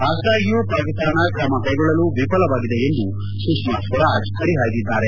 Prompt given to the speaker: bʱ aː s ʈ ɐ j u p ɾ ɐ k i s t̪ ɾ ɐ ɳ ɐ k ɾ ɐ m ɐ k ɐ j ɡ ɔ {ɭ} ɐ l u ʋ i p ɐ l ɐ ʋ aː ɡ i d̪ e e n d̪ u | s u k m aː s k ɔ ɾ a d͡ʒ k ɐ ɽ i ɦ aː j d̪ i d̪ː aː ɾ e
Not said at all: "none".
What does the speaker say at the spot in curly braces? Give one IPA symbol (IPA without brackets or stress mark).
ɭ